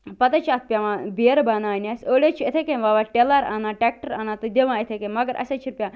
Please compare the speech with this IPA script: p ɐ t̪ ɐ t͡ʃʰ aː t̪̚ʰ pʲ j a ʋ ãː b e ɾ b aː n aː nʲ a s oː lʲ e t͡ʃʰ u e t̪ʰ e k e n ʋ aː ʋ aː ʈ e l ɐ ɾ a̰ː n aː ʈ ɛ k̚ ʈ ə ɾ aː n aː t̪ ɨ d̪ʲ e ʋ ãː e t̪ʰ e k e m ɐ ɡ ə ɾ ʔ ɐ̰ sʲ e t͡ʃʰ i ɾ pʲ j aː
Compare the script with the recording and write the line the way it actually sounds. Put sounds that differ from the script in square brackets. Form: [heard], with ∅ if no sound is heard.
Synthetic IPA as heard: p ɐ t̪ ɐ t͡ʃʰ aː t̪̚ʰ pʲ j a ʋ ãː b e ɾ b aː n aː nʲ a s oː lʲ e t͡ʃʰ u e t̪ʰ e k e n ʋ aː ʋ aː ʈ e l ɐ ɾ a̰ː n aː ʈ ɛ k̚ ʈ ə ɾ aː n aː t̪ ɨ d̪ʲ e ʋ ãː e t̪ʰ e k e m ɐ ɡ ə ɾ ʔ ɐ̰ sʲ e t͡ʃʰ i ɾ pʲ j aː